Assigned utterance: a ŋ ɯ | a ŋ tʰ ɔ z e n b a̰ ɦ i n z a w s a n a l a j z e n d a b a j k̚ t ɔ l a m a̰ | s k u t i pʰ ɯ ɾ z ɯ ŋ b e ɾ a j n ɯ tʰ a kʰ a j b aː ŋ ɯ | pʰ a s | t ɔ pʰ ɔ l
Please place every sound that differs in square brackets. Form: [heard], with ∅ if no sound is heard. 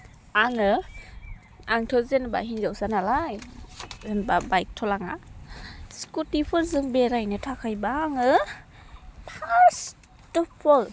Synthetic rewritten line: a ŋ ɯ | a ŋ tʰ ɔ z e n b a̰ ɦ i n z a w s a n a l a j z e n [b] a b a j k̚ [tʰ] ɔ l a [ŋ] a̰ | s k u t i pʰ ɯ ɾ z ɯ ŋ b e ɾ a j n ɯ tʰ a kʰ a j b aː ŋ ɯ | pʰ a s | t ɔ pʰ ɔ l